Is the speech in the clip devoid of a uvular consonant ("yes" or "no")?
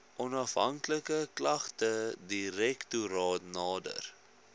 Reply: no